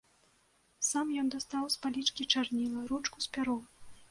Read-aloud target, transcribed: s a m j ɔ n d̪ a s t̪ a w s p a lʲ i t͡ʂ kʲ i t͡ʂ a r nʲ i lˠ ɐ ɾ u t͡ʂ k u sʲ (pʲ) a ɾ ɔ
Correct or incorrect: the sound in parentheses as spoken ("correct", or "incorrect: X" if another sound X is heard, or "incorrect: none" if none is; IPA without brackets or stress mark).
correct